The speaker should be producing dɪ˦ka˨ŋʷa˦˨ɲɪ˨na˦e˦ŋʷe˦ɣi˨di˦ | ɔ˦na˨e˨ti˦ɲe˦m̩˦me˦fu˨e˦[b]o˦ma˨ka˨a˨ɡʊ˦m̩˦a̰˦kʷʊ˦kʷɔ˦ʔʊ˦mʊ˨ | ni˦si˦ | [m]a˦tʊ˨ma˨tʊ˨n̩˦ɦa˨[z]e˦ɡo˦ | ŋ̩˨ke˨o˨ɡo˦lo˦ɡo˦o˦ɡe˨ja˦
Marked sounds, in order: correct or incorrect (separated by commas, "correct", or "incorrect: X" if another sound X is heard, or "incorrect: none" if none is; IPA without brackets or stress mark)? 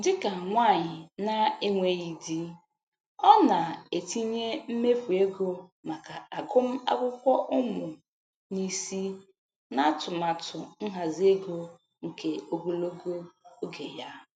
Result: incorrect: ɡ, incorrect: n, correct